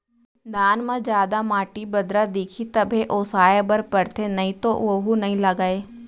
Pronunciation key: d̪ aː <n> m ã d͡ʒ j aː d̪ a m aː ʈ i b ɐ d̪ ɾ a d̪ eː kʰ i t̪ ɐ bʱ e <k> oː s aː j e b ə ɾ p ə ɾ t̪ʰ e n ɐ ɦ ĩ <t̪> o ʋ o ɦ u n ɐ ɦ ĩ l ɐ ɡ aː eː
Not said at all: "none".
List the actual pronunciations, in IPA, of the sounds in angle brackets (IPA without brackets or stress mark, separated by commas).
n, ʔ, t̪